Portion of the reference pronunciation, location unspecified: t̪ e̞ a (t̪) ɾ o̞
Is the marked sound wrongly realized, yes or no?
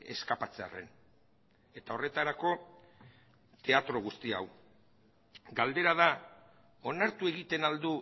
no